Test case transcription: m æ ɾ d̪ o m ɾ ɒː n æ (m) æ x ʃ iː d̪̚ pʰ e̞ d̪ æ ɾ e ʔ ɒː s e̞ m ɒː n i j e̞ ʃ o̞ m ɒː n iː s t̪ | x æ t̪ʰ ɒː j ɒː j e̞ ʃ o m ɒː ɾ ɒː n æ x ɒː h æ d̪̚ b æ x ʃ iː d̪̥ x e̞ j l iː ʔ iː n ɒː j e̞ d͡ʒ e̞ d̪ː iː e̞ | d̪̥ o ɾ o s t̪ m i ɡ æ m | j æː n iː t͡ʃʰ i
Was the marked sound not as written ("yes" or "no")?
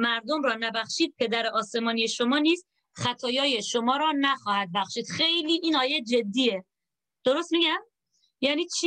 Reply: yes